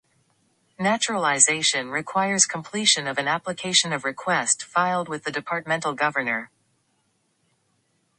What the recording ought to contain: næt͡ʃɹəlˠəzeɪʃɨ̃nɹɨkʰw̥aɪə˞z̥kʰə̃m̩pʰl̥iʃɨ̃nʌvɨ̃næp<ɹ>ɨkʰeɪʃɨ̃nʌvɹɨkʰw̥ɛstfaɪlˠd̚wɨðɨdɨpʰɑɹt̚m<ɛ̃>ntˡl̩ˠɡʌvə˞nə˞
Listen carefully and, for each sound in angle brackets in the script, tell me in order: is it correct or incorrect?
incorrect: l, correct

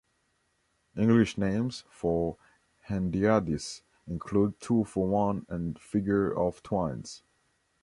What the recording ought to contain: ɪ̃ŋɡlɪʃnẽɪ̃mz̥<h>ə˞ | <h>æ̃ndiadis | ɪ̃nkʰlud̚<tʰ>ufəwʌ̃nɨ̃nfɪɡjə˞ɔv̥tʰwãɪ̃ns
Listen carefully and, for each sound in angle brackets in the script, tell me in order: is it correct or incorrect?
incorrect: f, correct, correct

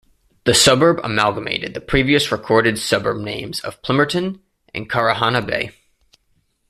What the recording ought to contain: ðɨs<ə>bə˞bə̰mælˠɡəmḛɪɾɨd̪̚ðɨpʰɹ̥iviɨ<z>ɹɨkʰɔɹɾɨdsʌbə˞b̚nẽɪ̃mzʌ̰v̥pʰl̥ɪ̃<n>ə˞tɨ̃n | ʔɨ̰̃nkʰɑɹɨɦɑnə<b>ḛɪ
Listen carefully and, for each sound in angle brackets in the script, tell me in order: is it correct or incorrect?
incorrect: ʌ, incorrect: s, incorrect: m, correct

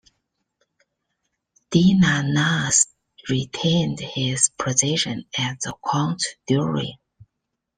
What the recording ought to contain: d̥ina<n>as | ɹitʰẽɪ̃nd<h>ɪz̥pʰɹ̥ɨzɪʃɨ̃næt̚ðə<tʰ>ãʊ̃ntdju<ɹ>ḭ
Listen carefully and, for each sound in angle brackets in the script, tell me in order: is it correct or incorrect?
correct, correct, incorrect: kʰ, correct

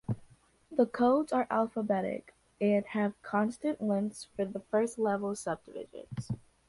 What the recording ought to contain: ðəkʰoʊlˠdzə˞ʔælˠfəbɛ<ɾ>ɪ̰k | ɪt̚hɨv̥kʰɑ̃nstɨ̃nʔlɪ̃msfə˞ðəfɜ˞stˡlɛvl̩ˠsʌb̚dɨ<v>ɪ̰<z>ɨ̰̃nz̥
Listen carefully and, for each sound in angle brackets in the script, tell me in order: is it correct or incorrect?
correct, correct, incorrect: ʒ

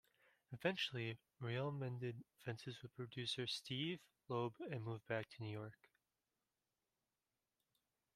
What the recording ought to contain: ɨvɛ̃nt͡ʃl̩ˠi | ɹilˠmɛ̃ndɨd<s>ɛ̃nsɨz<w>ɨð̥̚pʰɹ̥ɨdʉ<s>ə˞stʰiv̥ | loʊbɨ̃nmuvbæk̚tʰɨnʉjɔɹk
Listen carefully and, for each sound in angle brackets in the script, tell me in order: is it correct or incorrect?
incorrect: f, correct, correct

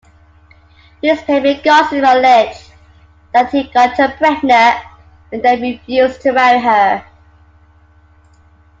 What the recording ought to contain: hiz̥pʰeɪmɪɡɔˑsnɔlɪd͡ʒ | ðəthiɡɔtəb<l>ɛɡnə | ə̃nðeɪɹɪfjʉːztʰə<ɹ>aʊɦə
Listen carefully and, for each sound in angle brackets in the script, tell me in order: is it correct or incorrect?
incorrect: ɹ, correct

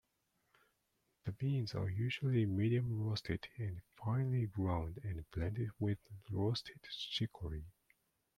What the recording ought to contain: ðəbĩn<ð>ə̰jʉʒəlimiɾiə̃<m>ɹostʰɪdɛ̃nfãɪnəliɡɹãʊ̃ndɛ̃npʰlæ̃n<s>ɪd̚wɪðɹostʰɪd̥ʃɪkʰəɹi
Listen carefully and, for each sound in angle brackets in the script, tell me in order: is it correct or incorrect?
incorrect: z, correct, incorrect: t

